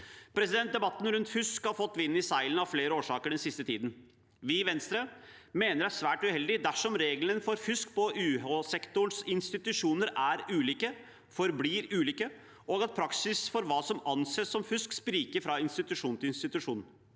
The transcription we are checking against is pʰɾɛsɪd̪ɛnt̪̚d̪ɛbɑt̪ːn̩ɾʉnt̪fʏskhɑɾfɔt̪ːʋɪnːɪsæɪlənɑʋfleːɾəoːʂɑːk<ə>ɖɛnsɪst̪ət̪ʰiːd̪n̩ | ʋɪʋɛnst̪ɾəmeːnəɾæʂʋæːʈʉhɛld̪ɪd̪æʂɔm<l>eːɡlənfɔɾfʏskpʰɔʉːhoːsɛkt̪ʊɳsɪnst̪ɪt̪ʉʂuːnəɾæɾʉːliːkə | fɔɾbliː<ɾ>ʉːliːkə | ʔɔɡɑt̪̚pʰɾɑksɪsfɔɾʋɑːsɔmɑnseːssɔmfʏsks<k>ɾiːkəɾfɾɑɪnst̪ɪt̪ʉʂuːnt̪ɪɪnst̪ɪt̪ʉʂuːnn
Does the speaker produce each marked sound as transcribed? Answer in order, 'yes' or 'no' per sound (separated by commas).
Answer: yes, no, yes, no